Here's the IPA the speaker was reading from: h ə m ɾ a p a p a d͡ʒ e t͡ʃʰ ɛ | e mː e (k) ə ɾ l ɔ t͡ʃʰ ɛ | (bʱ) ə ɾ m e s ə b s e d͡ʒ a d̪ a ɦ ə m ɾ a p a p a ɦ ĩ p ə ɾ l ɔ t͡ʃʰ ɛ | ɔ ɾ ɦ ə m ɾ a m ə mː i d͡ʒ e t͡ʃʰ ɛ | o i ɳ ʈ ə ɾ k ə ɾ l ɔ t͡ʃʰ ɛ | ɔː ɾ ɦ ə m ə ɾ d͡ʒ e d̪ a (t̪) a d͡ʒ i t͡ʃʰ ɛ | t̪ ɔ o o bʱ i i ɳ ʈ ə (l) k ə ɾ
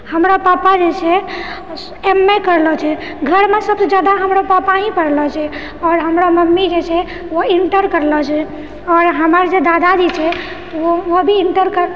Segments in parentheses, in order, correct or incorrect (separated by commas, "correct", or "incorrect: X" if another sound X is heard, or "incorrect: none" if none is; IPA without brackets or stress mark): correct, incorrect: ɡʱ, incorrect: d̪, incorrect: ɾ